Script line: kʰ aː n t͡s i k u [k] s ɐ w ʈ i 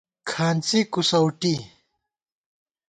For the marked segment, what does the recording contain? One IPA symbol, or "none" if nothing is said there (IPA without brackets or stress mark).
none